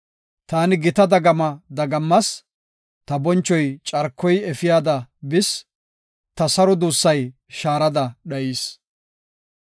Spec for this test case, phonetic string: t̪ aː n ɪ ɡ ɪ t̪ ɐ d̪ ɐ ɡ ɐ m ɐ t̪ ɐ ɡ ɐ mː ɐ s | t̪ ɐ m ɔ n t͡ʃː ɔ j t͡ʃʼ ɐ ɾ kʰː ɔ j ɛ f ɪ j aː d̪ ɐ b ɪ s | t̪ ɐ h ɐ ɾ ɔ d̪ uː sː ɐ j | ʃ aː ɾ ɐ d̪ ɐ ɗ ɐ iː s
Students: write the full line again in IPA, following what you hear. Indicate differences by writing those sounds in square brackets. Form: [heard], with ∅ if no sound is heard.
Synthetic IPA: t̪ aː n ɪ ɡ ɪ t̪ ɐ d̪ ɐ ɡ ɐ m ɐ [d̪] ɐ ɡ ɐ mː ɐ s | t̪ ɐ [b] ɔ n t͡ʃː ɔ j t͡ʃʼ ɐ ɾ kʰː ɔ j ɛ f ɪ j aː d̪ ɐ b ɪ s | t̪ ɐ [s] ɐ ɾ ɔ d̪ uː sː ɐ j | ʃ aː ɾ ɐ d̪ ɐ ɗ ɐ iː s